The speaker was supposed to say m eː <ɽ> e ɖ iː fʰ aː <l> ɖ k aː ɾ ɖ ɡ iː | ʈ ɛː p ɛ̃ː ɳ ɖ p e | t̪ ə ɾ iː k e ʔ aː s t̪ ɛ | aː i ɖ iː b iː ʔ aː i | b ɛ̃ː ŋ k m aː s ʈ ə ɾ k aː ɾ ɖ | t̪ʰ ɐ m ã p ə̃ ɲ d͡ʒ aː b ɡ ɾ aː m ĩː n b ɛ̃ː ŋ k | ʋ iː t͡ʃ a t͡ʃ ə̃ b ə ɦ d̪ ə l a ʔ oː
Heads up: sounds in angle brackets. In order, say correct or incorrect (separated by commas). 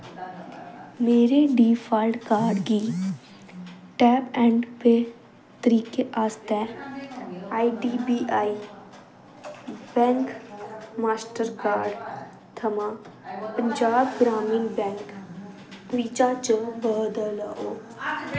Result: incorrect, correct